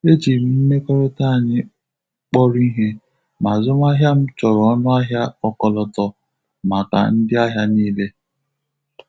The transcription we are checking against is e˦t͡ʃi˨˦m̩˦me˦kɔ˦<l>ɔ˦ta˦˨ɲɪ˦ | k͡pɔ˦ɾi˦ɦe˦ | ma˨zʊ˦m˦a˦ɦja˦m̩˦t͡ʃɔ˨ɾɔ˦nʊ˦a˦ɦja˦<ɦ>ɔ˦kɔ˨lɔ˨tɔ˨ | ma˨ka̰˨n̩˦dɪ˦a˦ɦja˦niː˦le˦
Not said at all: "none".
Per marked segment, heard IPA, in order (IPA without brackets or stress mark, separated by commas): ɾ, none